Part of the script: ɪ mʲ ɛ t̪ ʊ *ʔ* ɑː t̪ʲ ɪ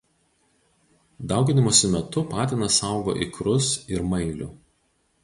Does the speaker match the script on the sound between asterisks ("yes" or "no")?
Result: no